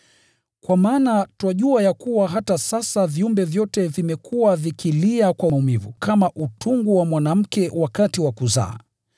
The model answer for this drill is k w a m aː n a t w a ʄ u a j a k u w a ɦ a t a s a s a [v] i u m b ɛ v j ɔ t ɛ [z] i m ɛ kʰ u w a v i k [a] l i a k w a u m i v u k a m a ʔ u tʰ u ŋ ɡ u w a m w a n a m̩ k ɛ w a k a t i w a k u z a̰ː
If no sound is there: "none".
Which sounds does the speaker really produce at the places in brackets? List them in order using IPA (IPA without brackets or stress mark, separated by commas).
v, v, i